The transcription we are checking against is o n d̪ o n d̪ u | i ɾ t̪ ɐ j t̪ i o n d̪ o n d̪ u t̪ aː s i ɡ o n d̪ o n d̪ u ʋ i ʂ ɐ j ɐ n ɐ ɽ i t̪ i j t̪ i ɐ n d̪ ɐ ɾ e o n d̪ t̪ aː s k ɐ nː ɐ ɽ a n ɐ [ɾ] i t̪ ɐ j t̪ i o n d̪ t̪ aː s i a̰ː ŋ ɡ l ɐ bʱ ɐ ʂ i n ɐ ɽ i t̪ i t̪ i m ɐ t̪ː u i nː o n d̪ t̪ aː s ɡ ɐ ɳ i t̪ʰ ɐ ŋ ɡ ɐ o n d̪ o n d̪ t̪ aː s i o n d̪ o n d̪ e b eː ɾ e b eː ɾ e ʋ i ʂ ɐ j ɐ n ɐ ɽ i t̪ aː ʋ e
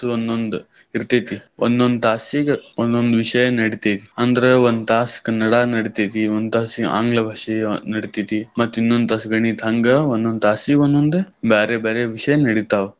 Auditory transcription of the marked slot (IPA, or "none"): ɽ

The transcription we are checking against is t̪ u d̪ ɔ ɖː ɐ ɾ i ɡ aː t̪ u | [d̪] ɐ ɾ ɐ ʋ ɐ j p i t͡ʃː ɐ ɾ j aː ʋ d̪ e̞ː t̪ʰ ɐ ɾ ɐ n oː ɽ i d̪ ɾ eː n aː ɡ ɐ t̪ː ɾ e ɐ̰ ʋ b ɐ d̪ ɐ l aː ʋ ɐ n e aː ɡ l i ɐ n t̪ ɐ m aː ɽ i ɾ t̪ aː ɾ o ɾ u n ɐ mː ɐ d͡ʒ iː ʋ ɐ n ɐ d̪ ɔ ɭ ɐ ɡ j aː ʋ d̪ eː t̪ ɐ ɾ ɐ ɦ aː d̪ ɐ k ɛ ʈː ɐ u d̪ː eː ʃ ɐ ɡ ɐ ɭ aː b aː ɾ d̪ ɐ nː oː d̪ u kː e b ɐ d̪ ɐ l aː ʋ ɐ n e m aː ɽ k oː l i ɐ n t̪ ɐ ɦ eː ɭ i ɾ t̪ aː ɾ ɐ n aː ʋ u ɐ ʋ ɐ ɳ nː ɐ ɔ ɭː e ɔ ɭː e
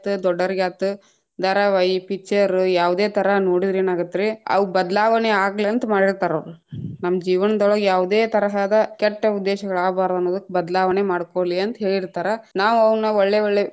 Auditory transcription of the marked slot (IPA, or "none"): d̪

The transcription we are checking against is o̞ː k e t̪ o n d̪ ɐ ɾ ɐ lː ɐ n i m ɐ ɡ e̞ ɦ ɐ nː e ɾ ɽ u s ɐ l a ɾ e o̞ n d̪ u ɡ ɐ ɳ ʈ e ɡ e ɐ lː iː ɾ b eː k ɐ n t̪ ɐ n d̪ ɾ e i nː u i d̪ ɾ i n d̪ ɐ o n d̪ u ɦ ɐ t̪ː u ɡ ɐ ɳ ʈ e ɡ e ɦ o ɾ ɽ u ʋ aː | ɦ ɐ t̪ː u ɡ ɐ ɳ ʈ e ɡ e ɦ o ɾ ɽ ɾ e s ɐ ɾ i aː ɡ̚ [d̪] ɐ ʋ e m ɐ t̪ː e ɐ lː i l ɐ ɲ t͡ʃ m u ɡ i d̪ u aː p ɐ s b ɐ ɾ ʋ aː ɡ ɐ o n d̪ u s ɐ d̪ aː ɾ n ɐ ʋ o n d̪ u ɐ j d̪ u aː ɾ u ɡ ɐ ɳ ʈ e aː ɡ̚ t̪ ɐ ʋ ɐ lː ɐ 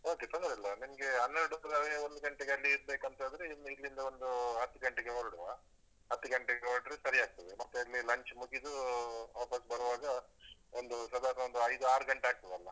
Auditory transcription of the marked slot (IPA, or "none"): t̪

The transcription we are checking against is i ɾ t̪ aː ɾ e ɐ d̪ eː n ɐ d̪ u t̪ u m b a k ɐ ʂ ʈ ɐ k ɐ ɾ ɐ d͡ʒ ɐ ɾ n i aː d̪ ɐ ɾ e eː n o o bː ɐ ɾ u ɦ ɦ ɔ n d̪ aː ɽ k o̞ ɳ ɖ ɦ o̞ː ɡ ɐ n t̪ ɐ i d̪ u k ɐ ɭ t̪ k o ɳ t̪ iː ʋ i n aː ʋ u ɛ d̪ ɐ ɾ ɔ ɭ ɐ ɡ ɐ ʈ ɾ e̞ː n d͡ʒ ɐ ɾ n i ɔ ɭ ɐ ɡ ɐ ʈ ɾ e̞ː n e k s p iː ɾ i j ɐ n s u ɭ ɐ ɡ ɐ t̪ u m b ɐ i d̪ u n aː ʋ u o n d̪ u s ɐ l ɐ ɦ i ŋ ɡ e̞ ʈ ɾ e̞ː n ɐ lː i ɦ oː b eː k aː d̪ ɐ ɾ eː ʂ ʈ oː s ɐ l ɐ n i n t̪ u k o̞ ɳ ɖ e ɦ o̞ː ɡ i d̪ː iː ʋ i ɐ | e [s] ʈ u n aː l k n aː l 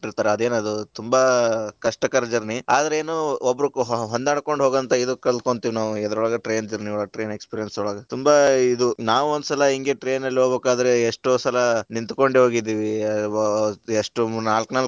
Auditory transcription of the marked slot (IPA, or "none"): ʂ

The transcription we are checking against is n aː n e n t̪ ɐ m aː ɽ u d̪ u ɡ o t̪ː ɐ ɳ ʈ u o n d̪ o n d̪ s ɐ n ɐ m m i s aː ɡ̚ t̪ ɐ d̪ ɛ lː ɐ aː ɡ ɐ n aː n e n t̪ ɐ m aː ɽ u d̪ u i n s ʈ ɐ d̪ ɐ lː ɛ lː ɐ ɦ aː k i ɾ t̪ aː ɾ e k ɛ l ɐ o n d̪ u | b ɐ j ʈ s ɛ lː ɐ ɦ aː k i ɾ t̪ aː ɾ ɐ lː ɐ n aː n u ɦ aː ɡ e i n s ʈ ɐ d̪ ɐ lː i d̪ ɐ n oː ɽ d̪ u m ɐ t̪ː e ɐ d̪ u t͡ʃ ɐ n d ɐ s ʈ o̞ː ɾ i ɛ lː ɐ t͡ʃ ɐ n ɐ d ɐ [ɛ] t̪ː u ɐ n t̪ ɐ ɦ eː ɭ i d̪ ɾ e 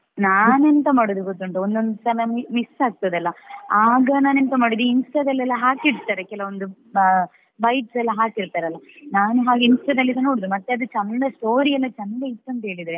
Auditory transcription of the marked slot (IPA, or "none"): i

